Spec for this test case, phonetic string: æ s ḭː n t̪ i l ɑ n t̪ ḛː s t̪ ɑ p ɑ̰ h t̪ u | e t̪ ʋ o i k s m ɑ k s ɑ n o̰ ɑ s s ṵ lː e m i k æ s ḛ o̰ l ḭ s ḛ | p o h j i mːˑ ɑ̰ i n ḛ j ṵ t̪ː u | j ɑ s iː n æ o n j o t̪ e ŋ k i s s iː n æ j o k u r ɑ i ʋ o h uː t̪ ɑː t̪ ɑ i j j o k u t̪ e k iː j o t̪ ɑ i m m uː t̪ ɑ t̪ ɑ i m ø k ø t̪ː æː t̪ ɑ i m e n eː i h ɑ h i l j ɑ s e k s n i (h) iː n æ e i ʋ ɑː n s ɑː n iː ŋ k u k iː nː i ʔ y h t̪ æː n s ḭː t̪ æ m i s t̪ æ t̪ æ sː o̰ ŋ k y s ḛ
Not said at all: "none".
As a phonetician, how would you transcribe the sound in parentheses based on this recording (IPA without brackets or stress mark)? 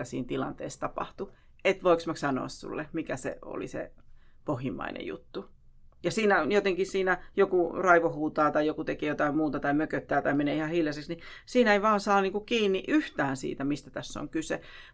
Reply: s